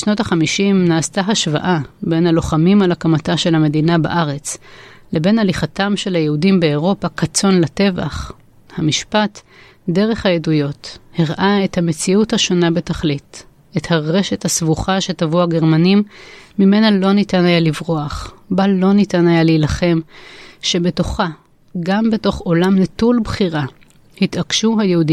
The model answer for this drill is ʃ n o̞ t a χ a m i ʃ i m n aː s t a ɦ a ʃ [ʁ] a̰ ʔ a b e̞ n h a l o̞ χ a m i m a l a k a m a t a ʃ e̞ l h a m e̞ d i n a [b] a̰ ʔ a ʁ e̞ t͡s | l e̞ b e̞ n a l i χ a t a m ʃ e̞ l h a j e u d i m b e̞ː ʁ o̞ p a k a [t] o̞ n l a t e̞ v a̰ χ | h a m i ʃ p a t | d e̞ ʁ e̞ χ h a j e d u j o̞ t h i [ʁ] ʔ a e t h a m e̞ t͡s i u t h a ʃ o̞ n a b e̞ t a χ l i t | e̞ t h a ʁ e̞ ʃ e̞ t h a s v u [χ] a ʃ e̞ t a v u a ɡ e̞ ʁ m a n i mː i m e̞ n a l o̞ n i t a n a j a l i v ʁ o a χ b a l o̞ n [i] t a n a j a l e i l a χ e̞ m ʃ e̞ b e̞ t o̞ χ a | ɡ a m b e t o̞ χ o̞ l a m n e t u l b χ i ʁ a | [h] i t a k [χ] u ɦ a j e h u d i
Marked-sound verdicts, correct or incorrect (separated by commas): incorrect, correct, incorrect, correct, correct, correct, correct, incorrect